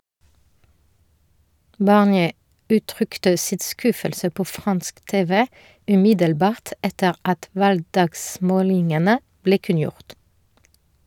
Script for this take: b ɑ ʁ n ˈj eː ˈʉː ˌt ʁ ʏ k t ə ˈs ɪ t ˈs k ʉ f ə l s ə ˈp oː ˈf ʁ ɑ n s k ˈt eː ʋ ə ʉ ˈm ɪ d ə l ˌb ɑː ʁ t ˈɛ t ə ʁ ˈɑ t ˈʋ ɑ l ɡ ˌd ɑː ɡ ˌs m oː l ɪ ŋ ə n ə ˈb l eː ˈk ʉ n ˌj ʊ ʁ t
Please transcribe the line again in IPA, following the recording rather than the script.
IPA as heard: b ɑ ʁ n ˈj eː ˈʉː ˌt ʁ ʏ k t ə ˈs ɪ t ˈs k ʉ f ə l s ə ˈp oː ˈf ʁ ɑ n s k ˈt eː ʋ ə ʉ ˈm ɪ d ə l ˌb ɑː ʁ t ˈɛ t ə ʁ ˈɑ t ˈʋ ɑ l ɡ ˌd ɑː ɡ ˌs m oː l ɪ ŋ ə n ə ˈb l eː ˈk ʉ n ˌj ʊ ʁ t

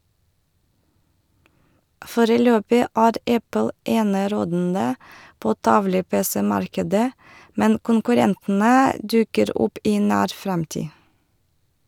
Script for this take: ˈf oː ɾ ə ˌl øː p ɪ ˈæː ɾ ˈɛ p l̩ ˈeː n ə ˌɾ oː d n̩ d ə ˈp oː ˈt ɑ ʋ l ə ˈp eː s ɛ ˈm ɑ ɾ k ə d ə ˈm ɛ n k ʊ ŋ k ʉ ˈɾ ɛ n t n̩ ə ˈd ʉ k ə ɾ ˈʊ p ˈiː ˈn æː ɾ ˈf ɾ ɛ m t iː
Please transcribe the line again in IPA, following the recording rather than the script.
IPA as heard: ˈf oː ɾ ə ˌl øː p ɪ ˈæː ɾ ˈɛ p l̩ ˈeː n ə ˌɾ oː d n̩ d ə ˈp oː ˈt ɑ ʋ l ə ˈp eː s ɛ ˈm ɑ ɾ k ə d ə ˈm ɛ n k ʊ ŋ k ʉ ˈɾ ɛ n t n̩ ə ˈd ʉ k ə ɾ ˈʊ p ˈiː ˈn æː ɾ ˈf ɾ ɛ m t iː

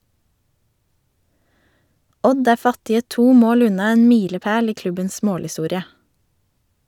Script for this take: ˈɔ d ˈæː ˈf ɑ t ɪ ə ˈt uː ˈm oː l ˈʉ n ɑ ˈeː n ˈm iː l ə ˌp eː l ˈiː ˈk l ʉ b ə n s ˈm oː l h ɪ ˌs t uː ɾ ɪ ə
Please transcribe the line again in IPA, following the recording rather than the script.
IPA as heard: ˈɔ d ˈæː ˈf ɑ t ɪ ə ˈt uː ˈm oː l ˈʉ n ɑ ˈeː n ˈm iː l ə ˌp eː l ˈiː ˈk l ʉ b ə n s ˈm oː l h ɪ ˌs t uː ɾ ɪ ə

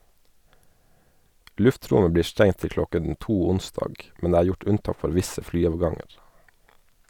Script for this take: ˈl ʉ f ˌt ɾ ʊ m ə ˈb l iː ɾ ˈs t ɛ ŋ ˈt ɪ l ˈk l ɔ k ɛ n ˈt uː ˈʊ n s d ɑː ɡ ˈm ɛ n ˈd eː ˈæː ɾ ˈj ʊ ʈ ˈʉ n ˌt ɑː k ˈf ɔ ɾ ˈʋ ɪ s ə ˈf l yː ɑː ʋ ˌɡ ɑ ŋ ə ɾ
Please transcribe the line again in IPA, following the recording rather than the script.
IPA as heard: ˈl ʉ f ˌt ɾ ʊ m ə ˈb l iː ɾ ˈs t ɛ ŋ ˈt ɪ l ˈk l ɔ k ɛ n ˈt uː ˈʊ n s d ɑː ɡ ˈm ɛ n ˈd eː ˈæː ɾ ˈj ʊ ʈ ˈʉ n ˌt ɑː k ˈf ɔ ɾ ˈʋ ɪ s ə ˈf l yː ɑː ʋ ˌɡ ɑ ŋ ə ɾ

